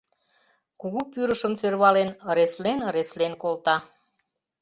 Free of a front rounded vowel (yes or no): no